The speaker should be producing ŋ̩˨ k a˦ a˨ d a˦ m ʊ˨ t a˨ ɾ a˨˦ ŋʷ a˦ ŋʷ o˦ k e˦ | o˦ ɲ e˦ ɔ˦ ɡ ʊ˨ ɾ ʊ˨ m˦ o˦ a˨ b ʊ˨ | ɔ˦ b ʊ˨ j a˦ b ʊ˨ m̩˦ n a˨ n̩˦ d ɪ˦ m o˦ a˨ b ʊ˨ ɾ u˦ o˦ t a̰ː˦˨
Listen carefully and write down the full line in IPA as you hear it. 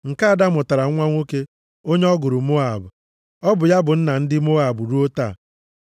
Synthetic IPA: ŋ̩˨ k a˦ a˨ d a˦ m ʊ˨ t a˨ ɾ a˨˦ ŋʷ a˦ ŋʷ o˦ k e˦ | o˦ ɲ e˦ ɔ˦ ɡ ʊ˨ ɾ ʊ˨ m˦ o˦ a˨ b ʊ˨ | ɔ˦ b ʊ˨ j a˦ b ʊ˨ n̩˦ n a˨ n̩˦ d ɪ˦ m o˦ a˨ b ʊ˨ ɾ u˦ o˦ t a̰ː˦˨